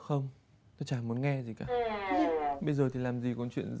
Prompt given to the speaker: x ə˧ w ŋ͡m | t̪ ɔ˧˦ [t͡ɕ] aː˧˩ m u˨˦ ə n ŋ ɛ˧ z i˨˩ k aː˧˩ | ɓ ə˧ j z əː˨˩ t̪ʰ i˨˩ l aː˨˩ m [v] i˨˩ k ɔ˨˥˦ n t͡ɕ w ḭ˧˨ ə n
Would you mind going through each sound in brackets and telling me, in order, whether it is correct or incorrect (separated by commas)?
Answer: correct, incorrect